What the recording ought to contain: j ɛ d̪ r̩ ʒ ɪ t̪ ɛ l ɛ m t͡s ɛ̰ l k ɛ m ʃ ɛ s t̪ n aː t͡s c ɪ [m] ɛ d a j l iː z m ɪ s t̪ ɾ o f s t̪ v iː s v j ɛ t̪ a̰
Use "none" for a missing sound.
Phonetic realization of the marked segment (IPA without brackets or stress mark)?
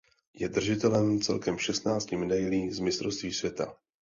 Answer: m